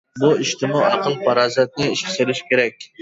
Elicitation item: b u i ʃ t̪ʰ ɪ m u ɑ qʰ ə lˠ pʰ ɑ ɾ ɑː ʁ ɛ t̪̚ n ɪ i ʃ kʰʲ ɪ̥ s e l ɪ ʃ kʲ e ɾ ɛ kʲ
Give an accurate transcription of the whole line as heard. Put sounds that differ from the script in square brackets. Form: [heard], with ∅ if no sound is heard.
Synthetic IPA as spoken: b u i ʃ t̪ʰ ɪ m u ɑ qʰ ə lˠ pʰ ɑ ɾ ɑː [z] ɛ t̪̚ n ɪ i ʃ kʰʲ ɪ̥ s e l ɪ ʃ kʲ e ɾ ɛ kʲ